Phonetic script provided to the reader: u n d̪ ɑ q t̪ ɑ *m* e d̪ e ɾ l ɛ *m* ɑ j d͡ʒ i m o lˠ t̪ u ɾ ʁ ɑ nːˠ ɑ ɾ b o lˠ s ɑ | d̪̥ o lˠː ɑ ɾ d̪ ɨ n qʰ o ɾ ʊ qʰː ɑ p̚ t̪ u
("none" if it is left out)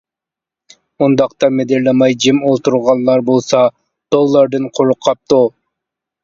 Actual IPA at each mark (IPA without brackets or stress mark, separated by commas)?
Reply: m, m